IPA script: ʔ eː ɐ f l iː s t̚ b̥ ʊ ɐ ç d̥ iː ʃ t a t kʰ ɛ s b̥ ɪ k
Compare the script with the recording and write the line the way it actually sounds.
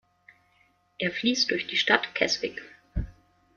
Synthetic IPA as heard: ʔ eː ɐ f l iː s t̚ d̥ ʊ ɐ ç d̥ iː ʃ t a t kʰ ɛ s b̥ ɪ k

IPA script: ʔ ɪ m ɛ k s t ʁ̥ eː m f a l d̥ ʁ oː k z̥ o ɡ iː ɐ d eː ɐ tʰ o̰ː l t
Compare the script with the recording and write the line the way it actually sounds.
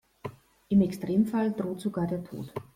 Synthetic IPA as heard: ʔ ɪ m ɛ k s t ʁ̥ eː m f a l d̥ ʁ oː t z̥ o ɡ aː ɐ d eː ɐ tʰ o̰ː t

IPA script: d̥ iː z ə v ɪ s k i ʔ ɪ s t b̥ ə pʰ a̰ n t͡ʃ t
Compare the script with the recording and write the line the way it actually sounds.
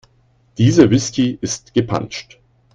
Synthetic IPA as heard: d̥ iː z ə v ɪ s k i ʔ ɪ s t ɡ̥ ə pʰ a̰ n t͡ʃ t

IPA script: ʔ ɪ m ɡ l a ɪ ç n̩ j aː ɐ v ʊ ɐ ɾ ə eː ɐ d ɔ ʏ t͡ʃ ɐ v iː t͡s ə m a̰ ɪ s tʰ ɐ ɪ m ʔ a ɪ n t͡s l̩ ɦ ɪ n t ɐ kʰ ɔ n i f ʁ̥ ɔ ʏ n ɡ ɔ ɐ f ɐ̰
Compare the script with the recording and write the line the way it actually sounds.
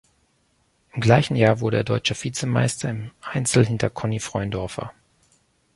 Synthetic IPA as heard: ʔ ɪ m ɡ l a ɪ ç n̩ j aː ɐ v ʊ ɐ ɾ ə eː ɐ d ɔ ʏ t͡ʃ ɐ f iː t͡s ə m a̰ ɪ s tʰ ɐ ɪ m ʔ a ɪ n t͡s l̩ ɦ ɪ n t ɐ kʰ ɔ n i f ʁ̥ ɔ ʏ n d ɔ ɐ f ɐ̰

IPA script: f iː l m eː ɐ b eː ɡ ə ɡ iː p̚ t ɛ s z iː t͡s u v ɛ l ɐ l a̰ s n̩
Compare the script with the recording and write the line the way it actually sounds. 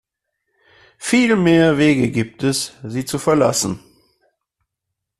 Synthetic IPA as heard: f iː l m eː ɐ v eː ɡ ə ɡ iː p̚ t ɛ s z iː t͡s u f ɛ ɐ l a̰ s n̩

